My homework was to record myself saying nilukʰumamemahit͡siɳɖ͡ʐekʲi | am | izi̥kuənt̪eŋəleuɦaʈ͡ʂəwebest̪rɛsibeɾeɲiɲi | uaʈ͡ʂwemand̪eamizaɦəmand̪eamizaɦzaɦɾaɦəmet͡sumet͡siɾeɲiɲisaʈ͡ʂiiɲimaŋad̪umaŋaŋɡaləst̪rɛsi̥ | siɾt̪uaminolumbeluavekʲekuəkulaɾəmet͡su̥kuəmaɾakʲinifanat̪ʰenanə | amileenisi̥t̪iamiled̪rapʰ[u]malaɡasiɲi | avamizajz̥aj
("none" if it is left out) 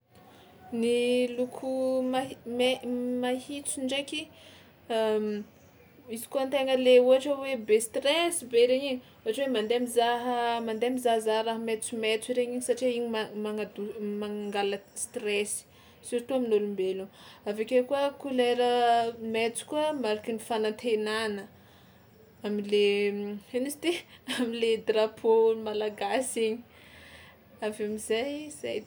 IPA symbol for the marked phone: o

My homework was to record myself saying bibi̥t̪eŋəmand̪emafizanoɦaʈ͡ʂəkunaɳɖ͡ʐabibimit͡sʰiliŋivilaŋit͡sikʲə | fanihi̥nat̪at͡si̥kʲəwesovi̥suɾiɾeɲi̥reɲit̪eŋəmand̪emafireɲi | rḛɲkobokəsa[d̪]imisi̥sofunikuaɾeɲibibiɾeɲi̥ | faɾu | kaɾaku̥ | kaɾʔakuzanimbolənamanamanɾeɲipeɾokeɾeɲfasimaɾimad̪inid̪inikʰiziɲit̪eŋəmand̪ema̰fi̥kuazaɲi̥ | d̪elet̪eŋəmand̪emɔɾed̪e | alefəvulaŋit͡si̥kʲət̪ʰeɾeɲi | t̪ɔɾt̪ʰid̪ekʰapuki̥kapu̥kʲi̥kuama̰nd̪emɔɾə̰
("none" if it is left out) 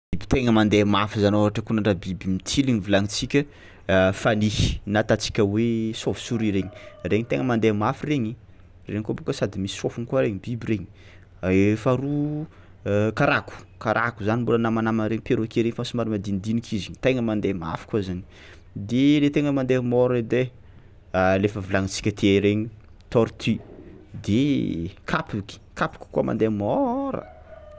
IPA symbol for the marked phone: d̪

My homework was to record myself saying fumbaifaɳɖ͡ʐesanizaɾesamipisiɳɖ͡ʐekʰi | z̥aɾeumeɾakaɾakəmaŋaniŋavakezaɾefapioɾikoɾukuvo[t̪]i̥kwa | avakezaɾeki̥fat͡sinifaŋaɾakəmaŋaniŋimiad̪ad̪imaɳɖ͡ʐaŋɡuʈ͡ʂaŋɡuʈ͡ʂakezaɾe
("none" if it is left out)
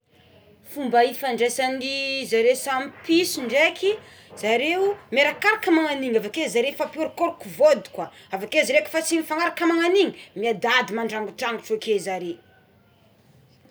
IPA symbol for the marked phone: d̪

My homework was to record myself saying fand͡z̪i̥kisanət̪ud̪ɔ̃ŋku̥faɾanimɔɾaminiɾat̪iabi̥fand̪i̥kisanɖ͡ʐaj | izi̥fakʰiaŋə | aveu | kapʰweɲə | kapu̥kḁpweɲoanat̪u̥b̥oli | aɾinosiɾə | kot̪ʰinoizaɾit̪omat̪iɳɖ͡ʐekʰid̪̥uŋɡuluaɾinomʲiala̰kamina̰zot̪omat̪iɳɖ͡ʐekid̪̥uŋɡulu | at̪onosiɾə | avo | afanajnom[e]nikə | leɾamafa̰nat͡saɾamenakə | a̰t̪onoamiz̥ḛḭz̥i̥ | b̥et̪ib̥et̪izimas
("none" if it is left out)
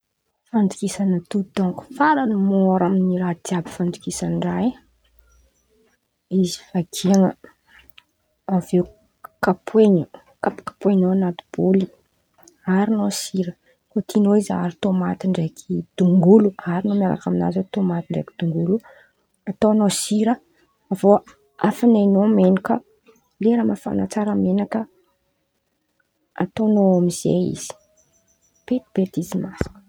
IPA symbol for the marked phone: e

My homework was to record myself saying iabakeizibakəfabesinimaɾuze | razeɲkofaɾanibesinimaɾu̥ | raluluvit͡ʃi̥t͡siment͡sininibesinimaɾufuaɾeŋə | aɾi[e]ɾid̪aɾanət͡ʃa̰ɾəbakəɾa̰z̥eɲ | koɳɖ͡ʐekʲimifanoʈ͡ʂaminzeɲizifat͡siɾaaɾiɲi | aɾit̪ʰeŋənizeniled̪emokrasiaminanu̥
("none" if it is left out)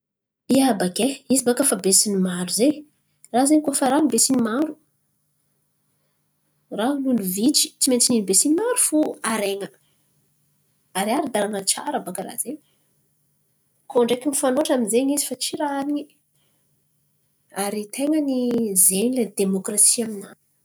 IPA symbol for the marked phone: a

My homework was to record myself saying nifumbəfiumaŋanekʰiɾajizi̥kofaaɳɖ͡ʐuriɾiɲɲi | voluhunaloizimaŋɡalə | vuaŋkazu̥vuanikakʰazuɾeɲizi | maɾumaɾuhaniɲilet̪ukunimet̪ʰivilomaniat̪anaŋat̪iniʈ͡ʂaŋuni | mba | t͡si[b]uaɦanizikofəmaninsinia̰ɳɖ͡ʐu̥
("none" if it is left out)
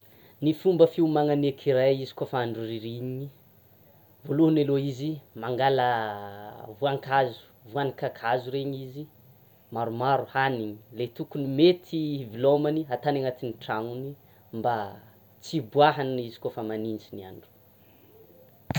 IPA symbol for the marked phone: b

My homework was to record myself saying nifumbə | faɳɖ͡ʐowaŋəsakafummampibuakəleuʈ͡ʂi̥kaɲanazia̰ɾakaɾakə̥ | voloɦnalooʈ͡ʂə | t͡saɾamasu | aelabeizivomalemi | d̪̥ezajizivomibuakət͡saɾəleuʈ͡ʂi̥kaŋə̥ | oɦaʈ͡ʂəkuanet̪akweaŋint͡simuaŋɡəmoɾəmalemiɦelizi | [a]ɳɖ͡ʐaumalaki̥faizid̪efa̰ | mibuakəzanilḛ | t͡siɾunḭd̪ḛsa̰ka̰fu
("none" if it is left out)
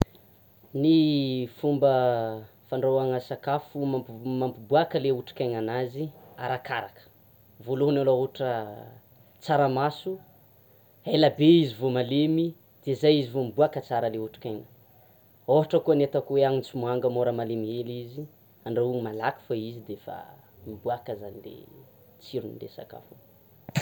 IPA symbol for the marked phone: a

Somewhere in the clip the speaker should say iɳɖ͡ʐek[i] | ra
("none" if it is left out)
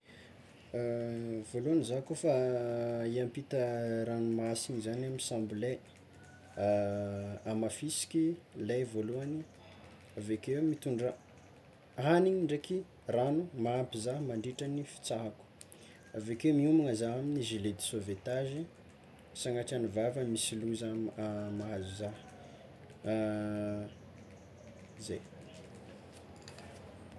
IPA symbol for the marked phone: i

